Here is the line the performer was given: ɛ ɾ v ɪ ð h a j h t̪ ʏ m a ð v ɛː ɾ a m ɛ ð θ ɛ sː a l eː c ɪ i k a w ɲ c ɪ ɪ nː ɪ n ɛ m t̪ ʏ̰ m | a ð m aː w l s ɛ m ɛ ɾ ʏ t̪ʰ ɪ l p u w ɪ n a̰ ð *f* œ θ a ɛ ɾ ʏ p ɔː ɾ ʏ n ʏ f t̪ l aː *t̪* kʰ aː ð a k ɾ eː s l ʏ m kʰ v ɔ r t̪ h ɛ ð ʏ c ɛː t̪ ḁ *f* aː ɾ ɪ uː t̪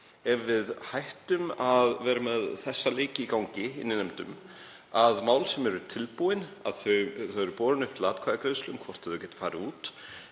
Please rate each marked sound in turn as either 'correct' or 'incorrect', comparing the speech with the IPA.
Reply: incorrect: θ, correct, correct

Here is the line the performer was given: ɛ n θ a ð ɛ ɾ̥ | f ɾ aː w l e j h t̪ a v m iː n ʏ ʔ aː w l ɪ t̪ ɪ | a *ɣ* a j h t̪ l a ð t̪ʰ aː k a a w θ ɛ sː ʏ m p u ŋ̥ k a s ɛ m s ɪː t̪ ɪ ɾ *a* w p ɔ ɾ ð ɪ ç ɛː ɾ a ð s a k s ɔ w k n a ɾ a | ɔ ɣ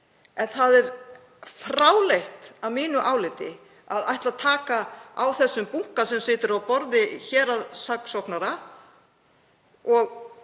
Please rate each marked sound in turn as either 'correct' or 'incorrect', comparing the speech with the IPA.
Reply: incorrect: ð, correct

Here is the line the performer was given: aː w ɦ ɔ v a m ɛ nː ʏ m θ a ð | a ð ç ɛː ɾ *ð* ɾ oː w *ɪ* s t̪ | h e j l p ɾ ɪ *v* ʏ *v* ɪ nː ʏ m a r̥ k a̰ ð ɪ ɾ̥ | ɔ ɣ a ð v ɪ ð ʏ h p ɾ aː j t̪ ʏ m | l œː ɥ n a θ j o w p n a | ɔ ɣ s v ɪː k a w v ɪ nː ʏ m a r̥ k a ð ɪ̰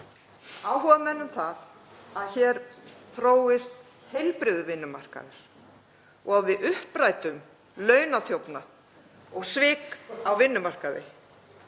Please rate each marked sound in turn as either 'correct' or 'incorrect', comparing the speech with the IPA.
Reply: incorrect: θ, correct, incorrect: ð, correct

